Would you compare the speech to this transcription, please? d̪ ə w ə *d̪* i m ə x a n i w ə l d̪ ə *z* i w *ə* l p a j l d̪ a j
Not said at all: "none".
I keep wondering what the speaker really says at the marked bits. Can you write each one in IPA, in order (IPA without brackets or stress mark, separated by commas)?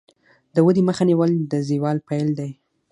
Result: d̪, z, ɑ